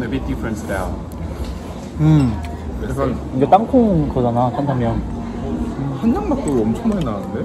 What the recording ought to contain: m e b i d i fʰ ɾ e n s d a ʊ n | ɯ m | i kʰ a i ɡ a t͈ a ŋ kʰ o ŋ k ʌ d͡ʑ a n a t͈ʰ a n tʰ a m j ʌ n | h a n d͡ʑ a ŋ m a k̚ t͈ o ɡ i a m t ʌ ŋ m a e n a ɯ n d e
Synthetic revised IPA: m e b i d i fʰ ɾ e n s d a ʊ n | ɯ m | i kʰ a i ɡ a t͈ a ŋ kʰ o ŋ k ʌ d͡ʑ a n a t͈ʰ a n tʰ a m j ʌ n | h a n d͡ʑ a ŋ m a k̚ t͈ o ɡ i ʌ m t͡ɕʰ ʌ ŋ m a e n a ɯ n d e